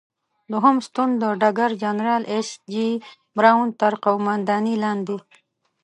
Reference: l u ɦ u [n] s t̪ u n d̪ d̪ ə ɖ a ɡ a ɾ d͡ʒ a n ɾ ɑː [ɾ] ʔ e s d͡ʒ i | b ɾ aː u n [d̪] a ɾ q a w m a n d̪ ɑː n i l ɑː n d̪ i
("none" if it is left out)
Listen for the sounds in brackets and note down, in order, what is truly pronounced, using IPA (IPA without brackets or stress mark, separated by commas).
m, l, t̪